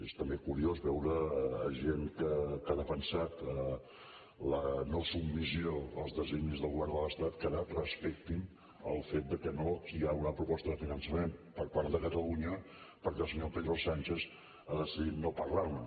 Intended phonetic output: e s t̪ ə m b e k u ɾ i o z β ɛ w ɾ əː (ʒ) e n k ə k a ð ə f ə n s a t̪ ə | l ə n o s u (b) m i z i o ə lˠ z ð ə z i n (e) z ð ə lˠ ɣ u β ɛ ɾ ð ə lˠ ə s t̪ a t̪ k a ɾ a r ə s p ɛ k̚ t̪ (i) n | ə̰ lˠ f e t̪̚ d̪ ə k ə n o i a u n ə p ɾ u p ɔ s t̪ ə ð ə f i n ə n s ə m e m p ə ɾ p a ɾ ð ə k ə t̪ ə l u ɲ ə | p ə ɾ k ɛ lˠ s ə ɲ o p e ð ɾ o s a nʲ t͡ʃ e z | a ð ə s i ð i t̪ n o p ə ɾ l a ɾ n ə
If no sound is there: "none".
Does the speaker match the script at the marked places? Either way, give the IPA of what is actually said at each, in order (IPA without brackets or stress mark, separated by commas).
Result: ʒ, b, i, i